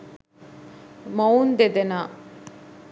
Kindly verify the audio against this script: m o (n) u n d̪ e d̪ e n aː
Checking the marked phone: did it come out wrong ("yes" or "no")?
yes